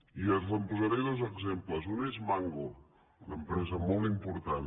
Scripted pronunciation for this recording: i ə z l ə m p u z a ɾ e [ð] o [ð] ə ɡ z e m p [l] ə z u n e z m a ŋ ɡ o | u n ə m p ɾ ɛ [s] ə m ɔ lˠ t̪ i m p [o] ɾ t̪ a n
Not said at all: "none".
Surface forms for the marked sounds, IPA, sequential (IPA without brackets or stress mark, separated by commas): ð, z, l, z, u